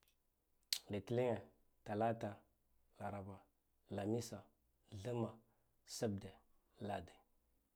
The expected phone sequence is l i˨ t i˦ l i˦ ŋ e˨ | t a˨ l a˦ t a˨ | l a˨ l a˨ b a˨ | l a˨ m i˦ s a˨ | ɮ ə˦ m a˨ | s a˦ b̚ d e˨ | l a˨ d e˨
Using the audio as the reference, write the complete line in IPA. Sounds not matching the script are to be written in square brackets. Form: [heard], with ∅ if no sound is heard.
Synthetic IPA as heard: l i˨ t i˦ l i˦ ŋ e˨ | t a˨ l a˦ t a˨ | l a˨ [ɾ] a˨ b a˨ | l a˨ m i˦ s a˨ | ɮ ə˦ m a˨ | s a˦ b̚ d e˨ | l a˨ d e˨